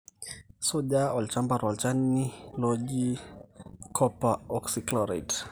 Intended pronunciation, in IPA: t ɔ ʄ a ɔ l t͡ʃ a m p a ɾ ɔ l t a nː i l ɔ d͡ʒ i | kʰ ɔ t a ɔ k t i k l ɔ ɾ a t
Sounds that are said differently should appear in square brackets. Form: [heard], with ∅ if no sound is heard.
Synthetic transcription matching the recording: [s] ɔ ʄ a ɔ l t͡ʃ a m [b] a ɾ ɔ l [t͡ʃ] a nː i l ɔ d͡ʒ i | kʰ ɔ [p] a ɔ k [s] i k l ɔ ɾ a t